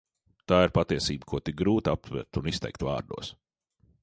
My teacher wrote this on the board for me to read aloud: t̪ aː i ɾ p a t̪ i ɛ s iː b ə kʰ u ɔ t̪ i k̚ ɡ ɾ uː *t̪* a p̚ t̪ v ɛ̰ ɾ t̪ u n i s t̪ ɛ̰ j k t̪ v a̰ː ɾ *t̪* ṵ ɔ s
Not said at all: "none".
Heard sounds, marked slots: t̪, d̪

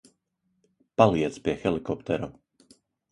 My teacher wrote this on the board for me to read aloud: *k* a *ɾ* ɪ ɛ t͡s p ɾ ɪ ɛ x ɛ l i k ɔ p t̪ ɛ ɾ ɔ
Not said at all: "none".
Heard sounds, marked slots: p, l

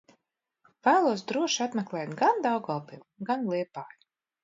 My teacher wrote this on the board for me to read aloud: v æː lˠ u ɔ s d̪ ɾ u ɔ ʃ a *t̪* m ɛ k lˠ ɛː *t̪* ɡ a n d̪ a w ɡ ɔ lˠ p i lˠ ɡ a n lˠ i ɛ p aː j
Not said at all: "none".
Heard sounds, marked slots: t̪, t̪

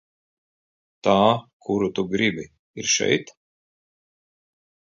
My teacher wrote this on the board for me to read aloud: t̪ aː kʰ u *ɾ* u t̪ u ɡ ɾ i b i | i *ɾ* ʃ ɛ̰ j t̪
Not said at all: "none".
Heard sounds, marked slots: ɾ, ɾ

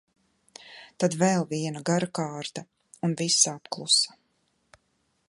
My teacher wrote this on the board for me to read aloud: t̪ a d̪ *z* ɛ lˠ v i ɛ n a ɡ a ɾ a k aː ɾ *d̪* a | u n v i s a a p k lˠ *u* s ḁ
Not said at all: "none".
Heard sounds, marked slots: v, t̪, u

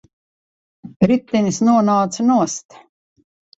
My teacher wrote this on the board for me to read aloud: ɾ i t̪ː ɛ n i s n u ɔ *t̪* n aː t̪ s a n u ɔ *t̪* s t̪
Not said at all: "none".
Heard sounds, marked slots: none, none

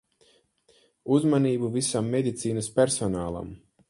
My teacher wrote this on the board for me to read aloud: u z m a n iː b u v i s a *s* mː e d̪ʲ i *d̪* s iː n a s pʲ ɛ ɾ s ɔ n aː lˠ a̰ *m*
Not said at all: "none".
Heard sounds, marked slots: none, t̪, m

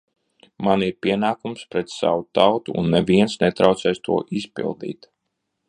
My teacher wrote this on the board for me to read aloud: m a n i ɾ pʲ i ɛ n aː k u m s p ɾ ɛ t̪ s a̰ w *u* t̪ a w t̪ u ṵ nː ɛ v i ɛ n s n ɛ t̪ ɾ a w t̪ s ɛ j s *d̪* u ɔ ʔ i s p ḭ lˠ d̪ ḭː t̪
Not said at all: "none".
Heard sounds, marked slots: u, t̪

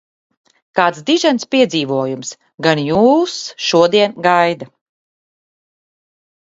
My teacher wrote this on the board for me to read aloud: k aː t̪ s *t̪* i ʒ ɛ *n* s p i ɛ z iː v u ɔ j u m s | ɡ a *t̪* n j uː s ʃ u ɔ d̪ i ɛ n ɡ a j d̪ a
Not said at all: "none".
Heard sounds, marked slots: d̪, n, none

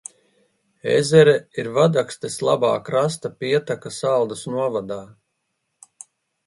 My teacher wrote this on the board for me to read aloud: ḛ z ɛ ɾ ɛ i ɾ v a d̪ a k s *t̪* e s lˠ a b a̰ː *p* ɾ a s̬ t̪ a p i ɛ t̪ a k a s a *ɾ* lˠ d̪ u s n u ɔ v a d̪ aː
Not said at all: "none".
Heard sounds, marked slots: t̪, k, none

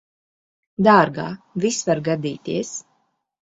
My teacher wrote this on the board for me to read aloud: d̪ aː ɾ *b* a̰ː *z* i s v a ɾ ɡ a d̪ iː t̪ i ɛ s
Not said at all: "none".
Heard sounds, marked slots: ɡ, v

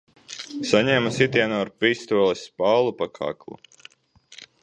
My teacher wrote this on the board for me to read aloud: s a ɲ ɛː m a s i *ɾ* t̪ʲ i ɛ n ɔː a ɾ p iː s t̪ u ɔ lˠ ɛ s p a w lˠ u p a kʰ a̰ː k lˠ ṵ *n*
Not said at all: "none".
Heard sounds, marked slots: none, none

